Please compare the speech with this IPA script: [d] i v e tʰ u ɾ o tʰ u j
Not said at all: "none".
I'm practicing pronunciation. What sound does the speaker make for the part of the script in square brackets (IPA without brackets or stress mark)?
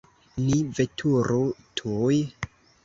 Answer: n